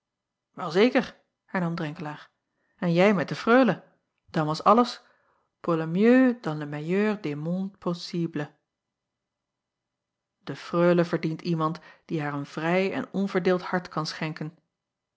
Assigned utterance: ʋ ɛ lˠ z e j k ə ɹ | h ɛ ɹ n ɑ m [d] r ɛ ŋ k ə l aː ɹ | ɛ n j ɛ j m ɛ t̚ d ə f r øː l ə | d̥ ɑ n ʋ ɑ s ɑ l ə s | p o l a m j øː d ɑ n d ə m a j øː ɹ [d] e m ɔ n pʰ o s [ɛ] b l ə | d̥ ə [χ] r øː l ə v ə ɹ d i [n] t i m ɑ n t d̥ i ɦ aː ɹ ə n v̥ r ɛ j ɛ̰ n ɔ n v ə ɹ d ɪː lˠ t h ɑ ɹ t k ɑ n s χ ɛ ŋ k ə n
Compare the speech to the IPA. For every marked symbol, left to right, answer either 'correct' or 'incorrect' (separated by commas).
correct, correct, incorrect, incorrect, correct